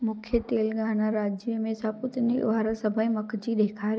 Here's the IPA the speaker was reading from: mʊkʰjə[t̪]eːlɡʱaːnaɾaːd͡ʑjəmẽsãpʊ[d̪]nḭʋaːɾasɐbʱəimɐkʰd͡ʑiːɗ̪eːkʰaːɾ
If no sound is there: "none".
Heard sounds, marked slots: t̪, t̪

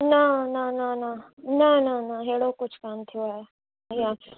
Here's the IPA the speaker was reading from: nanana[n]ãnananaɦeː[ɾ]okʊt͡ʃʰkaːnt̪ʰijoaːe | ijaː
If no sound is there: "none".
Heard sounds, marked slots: n, ɽ

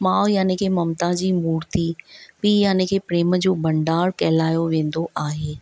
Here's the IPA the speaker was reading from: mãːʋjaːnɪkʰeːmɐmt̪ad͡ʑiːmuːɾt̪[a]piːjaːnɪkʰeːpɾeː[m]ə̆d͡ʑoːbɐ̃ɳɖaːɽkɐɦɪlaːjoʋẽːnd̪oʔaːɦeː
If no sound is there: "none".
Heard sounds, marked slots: i, m

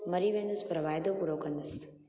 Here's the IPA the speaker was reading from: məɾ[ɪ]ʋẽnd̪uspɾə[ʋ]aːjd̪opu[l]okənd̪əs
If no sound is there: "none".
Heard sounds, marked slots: i, ʋ, ɾ

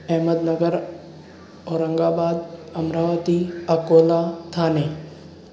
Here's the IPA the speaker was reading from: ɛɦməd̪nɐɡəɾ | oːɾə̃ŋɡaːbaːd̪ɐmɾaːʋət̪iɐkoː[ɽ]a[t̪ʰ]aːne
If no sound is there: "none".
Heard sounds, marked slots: l, t̪ʰ

